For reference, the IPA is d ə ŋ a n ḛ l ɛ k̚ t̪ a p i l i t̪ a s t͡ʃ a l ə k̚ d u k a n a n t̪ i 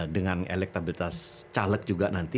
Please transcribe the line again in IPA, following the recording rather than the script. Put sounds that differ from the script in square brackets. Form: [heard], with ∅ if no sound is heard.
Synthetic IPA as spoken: d ə ŋ a n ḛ l ɛ k̚ t̪ a [b] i l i t̪ a s t͡ʃ a l ə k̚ [d͡ʒ] u [ɡ] a n a n t̪ i